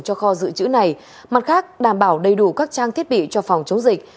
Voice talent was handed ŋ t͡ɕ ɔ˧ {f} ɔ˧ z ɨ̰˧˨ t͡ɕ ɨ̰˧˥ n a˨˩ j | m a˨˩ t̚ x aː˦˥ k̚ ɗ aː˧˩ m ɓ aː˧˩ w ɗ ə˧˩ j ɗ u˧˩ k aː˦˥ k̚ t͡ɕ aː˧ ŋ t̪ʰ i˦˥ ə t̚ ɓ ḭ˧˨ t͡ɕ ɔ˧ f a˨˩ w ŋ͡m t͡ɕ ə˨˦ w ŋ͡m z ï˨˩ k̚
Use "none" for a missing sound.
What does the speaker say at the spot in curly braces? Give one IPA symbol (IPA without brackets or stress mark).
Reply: x